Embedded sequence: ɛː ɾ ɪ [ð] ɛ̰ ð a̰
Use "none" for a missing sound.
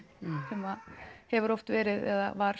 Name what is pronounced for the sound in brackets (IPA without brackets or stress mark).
ð